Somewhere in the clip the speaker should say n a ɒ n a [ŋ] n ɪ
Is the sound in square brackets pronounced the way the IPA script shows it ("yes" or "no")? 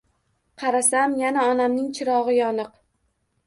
no